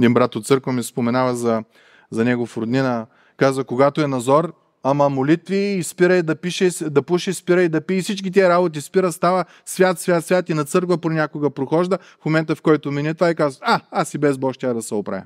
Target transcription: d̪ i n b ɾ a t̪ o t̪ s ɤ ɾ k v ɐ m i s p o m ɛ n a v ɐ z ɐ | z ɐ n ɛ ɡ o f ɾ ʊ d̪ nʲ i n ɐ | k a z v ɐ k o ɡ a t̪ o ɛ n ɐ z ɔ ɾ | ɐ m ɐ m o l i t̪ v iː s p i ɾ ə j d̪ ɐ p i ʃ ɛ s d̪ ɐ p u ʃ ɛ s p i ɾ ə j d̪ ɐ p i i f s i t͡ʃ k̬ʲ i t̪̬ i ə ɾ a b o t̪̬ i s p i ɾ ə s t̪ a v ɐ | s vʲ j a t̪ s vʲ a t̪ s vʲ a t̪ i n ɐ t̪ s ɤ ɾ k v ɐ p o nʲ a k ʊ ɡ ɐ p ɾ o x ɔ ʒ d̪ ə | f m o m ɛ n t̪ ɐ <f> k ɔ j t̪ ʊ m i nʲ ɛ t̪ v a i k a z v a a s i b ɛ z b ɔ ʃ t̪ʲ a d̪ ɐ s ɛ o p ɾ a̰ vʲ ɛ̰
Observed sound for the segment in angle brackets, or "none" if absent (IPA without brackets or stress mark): f